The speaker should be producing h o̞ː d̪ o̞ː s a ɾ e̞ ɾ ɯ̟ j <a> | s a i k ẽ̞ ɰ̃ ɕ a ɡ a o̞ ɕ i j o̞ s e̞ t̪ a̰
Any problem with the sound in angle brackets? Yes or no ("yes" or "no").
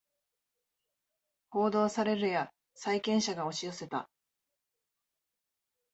no